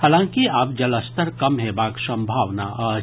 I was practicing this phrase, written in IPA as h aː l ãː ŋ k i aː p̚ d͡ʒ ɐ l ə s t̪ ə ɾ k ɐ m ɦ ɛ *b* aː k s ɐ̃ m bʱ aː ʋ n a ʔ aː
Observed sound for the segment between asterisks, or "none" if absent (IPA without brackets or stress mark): b